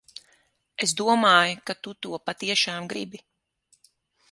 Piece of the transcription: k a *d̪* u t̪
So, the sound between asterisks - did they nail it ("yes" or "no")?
no